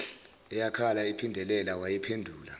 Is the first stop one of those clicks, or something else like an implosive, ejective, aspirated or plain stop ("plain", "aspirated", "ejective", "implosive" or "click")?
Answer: aspirated